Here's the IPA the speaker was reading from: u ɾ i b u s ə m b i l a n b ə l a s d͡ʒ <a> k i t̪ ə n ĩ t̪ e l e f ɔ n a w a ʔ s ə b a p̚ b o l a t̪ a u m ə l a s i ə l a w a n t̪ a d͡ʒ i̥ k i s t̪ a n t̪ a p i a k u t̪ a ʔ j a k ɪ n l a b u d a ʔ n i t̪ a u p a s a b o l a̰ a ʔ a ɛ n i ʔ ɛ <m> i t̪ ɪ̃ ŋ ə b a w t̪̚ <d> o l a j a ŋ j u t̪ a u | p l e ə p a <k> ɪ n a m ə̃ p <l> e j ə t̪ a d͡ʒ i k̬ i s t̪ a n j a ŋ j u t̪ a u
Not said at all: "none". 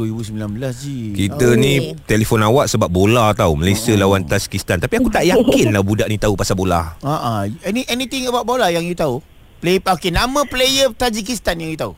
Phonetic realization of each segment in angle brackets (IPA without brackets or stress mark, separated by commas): i, n, b, k, l